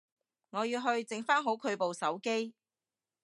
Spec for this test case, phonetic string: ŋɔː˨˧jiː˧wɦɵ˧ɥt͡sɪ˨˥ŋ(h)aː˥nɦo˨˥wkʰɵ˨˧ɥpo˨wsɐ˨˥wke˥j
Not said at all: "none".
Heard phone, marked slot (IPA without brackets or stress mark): f